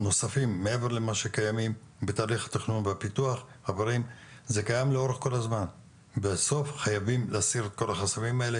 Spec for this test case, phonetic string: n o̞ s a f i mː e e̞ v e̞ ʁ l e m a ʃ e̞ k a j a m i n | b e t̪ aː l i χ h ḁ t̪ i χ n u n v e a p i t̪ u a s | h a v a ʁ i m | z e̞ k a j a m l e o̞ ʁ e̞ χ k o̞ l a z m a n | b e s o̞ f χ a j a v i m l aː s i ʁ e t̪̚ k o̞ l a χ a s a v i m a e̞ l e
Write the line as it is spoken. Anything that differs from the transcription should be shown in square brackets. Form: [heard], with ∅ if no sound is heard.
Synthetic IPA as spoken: n o̞ s a f i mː e e̞ v e̞ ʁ l e m a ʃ e̞ k a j a m i [m] | b e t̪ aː l i χ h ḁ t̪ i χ n u n v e a p i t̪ u a [χ] | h a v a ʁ i m | z e̞ k a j a m l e o̞ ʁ e̞ χ k o̞ l a z m a n | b e s o̞ f χ a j a v i m l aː s i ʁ e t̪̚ k o̞ l a χ a s a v i m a e̞ l e